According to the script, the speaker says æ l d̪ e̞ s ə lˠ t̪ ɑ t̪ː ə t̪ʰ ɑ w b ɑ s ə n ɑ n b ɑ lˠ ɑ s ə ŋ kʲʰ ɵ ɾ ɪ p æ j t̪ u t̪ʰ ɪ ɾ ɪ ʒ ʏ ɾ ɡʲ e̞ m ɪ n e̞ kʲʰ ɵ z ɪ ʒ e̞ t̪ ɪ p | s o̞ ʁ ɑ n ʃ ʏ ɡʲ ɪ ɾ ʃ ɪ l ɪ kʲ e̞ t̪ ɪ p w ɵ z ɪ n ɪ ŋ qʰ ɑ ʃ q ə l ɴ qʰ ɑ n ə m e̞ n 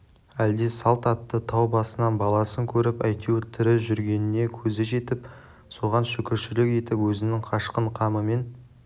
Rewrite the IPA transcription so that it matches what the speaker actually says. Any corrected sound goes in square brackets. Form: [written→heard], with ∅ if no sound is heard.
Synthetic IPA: æ l d̪ e̞ s [ə→ɑ] lˠ t̪ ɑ t̪ː ə t̪ʰ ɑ w b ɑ s ə n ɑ n b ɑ lˠ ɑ s ə ŋ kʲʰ ɵ ɾ ɪ p æ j t̪ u t̪ʰ ɪ ɾ ɪ ʒ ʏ ɾ ɡʲ e̞ [m→n] ɪ n e̞ kʲʰ ɵ z ɪ ʒ e̞ t̪ ɪ p | s o̞ ʁ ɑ n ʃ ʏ [ɡʲ→kʲ] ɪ ɾ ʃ ɪ l ɪ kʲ e̞ t̪ ɪ p w ɵ z ɪ n ɪ ŋ qʰ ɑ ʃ q ə [l→∅] ɴ qʰ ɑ [n→m] ə m e̞ n